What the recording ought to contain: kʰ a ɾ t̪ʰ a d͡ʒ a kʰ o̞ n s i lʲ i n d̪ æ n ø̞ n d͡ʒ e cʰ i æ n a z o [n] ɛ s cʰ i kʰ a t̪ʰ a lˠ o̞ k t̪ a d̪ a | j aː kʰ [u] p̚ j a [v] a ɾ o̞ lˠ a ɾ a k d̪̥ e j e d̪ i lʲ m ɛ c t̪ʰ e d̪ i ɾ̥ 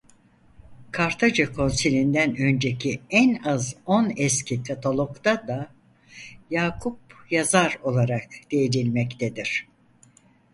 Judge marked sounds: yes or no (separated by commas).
yes, yes, no